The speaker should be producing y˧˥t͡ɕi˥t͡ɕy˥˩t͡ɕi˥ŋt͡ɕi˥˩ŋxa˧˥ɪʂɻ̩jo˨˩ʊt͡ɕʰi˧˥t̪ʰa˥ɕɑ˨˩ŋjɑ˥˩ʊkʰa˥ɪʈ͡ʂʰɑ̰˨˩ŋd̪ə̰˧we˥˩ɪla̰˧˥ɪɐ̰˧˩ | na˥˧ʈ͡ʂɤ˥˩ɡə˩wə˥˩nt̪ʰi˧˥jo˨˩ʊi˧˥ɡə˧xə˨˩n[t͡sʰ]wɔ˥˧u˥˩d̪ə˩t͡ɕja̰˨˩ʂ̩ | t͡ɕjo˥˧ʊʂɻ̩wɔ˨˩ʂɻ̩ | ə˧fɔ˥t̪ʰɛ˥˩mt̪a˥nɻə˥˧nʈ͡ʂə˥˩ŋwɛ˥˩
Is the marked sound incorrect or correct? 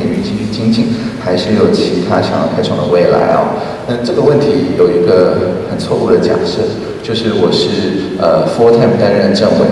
correct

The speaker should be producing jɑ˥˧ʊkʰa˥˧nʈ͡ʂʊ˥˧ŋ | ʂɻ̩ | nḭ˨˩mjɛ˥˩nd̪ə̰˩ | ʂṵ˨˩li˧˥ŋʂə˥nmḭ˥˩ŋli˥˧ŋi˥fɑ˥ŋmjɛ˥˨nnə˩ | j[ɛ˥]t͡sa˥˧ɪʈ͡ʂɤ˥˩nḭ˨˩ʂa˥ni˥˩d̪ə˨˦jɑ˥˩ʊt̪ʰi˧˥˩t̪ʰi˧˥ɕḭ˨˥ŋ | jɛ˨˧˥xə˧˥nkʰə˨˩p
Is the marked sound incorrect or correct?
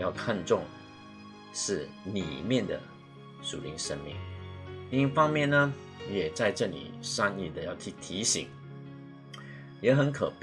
incorrect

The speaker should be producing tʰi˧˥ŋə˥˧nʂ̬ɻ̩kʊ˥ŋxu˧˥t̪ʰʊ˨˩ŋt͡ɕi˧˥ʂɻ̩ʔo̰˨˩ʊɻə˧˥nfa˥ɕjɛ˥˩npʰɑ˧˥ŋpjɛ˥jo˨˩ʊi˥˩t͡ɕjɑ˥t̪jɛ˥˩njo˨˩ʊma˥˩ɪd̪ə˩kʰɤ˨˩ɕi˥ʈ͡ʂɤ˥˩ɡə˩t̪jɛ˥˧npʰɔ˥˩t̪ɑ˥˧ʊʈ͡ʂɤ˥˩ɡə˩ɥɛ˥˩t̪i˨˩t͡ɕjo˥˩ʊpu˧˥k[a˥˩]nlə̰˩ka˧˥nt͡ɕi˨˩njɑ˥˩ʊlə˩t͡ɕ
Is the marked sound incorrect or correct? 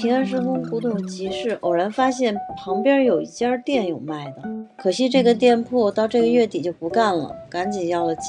correct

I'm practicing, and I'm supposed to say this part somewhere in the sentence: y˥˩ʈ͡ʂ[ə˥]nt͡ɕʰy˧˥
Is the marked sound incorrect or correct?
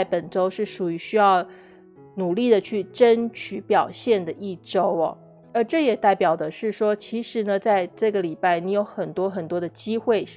correct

